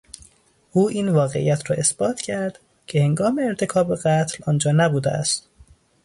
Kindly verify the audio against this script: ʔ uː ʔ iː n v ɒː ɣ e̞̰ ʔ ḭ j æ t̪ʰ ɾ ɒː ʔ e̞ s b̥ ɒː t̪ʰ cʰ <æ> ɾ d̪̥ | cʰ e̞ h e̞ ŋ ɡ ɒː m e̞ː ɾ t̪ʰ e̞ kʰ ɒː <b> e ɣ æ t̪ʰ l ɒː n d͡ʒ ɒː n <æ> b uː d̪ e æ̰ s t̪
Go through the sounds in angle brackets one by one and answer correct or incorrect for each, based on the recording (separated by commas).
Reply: correct, correct, correct